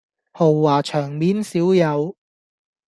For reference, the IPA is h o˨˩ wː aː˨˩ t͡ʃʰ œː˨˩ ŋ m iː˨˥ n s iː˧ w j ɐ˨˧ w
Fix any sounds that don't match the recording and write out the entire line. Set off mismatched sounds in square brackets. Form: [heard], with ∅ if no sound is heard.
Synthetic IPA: h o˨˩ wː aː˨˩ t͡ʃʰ œː˨˩ ŋ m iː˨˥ n s [iː˨˥] w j ɐ˨˧ w